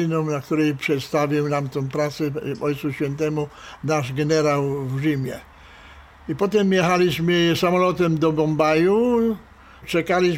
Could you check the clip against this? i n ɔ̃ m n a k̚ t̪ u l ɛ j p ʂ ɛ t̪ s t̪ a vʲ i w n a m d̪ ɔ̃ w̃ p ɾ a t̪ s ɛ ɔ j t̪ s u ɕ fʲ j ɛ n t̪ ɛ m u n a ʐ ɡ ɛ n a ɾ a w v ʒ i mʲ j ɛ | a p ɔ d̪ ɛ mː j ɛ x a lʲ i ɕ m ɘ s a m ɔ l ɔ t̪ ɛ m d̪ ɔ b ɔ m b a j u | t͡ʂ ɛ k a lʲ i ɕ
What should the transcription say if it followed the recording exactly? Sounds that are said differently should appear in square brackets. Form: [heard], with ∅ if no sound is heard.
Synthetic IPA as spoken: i n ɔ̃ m n a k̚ t̪ u [ɾ] ɛ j p ʂ ɛ t̪ s t̪ a vʲ i w n a m [t̪] ɔ̃ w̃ p ɾ a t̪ s ɛ ɔ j t̪ s u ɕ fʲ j ɛ n t̪ ɛ m u n a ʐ ɡ ɛ n [ɛ] ɾ a w v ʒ i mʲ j ɛ | [i] p ɔ [t̪] ɛ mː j ɛ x a lʲ i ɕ m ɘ s a m ɔ l ɔ t̪ ɛ m d̪ ɔ b ɔ m b a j u | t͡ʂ ɛ k a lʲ i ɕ